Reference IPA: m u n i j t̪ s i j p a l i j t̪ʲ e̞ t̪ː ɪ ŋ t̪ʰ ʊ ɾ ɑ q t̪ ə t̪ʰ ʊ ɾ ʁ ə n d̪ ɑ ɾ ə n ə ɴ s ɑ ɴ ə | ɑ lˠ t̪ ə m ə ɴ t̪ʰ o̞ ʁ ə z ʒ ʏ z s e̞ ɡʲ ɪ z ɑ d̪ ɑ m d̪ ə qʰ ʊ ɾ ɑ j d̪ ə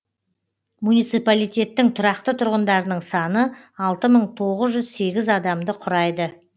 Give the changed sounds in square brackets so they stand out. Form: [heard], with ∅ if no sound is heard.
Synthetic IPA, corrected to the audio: m u n i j t̪ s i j p a l i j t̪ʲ e̞ t̪ː ɪ ŋ t̪ʰ ʊ ɾ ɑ q t̪ ə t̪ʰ ʊ ɾ ʁ ə n d̪ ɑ ɾ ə n ə ɴ s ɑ [n] ə | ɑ lˠ t̪ ə m ə ɴ t̪ʰ o̞ ʁ ə z ʒ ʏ z s e̞ ɡʲ ɪ z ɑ d̪ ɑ m d̪ ə qʰ ʊ ɾ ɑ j d̪ ə